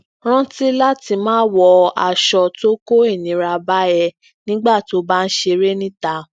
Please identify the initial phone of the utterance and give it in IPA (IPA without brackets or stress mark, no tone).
ɾ̃